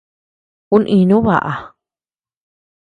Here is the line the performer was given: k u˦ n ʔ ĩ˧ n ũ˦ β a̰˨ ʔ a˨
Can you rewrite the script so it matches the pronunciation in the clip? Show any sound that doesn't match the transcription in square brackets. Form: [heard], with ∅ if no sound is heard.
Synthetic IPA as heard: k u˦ n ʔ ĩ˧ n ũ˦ β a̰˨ ʔ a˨